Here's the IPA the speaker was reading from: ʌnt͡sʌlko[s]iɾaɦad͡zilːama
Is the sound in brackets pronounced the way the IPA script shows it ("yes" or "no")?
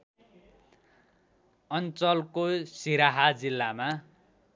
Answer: yes